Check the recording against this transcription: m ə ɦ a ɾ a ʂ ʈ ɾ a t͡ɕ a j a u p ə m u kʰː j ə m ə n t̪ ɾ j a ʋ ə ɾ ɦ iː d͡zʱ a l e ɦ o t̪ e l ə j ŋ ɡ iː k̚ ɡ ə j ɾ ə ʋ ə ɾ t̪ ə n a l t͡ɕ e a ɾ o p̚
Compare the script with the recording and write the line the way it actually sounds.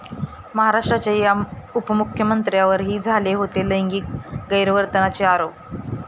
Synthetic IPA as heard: m ə ɦ a ɾ a ʂ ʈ ɾ a t͡ɕ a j a u p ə m u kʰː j ə m ə n t̪ ɾ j a ʋ ə ɾ ɦ iː d͡zʱ a l e ɦ o t̪ e l ə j ŋ ɡ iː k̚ ɡ ə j ɾ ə ʋ ə ɾ t̪ ə n a t͡ɕ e a ɾ o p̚

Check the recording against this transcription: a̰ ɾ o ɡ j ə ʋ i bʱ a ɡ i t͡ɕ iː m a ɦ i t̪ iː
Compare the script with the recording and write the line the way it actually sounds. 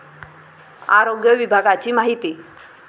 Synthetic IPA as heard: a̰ ɾ o ɡ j ə ʋ i bʱ a ɡ a t͡ɕ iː m a ɦ i t̪ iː

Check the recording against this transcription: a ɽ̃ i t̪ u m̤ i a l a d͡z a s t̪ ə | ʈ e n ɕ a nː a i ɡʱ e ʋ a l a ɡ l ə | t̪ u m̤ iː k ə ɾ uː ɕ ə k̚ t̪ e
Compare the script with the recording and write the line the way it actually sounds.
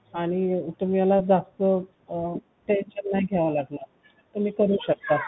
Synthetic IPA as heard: a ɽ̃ i t̪ u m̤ i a l a d͡z a s t̪ ə | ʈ e n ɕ ə nː a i ɡʱ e ʋ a l a ɡ l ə | t̪ u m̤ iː k ə ɾ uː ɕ ə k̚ t̪ a

